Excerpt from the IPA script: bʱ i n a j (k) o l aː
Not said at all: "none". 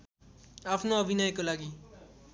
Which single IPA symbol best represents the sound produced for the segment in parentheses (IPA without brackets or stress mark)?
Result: k